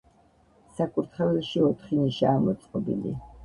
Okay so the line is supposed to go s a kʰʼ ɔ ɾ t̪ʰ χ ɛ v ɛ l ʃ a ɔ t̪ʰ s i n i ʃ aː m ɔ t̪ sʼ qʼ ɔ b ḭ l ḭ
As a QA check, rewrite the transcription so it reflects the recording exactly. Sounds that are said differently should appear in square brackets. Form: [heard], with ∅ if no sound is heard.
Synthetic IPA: s a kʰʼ [u] ɾ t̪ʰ χ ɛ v ɛ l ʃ [i] ɔ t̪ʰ [χ] i n i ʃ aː m ɔ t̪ sʼ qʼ ɔ b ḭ l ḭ